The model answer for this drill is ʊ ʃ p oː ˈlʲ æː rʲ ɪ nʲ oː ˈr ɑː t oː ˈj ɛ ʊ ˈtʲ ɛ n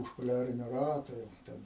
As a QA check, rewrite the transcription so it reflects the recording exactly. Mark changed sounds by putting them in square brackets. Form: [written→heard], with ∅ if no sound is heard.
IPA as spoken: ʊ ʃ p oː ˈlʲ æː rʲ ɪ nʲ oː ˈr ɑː t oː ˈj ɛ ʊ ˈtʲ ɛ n